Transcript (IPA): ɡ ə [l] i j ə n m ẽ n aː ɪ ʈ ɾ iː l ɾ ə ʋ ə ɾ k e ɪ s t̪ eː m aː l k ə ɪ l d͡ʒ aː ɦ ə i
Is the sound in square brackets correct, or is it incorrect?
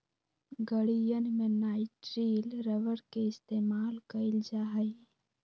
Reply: incorrect